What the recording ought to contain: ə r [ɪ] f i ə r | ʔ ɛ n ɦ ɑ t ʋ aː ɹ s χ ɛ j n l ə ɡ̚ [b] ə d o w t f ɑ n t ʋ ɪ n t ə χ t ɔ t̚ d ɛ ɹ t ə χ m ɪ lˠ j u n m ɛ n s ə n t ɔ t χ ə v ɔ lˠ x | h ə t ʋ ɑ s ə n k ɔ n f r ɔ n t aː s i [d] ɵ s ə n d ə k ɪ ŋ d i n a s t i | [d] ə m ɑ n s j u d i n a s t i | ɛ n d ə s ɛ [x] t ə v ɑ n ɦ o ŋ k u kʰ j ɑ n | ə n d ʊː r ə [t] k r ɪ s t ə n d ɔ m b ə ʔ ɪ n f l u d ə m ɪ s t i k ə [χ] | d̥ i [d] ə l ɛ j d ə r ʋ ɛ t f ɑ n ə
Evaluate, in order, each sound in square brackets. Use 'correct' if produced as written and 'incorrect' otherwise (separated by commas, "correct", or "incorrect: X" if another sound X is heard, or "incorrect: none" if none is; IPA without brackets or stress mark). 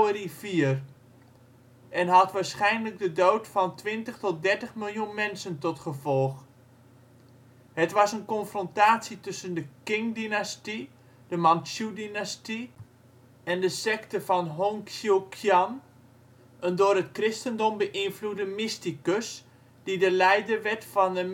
incorrect: i, incorrect: d, incorrect: t, correct, incorrect: k, correct, incorrect: s, correct